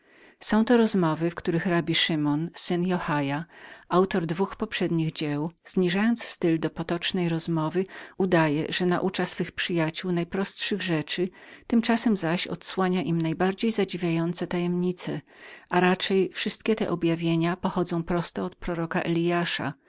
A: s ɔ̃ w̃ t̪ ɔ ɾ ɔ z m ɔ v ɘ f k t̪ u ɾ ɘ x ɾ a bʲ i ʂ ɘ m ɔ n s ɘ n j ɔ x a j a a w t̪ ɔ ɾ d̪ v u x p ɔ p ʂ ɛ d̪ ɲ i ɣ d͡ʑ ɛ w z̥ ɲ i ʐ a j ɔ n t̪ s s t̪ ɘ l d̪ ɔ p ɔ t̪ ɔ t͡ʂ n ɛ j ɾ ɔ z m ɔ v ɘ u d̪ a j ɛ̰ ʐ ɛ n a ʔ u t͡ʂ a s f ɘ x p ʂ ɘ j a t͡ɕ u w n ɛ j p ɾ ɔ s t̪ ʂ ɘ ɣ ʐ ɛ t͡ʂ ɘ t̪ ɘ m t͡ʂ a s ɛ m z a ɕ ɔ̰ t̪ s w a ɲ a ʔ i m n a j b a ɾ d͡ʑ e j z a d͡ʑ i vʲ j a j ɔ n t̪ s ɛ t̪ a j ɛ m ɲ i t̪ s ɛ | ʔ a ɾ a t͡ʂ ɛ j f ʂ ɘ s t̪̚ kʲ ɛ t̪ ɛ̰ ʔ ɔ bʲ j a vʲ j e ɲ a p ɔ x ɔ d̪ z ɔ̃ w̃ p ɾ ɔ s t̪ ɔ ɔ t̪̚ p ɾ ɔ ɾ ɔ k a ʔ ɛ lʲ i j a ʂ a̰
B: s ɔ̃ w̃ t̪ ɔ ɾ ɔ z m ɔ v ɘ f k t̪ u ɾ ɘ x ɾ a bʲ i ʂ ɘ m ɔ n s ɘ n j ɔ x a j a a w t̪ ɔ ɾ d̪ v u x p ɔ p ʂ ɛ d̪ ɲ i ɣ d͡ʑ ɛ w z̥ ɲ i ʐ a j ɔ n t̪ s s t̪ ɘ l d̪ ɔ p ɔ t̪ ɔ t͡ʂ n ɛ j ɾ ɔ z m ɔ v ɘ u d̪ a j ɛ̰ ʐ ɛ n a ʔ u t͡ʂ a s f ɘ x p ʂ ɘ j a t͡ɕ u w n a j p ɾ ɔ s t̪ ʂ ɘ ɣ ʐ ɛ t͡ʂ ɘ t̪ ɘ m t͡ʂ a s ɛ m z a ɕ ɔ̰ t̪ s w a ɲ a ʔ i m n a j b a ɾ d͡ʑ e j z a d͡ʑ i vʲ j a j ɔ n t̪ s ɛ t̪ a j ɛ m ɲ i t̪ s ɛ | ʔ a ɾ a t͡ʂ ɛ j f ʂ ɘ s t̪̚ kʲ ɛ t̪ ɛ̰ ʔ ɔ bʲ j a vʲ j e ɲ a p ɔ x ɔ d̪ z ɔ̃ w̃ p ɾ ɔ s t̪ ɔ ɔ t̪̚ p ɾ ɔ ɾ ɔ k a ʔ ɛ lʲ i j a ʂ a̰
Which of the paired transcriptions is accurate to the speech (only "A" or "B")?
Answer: B